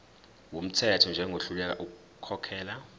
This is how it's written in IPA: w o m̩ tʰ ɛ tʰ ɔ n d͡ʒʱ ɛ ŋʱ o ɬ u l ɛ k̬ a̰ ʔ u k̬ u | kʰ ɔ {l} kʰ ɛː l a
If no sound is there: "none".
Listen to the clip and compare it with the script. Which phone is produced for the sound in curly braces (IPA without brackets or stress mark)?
none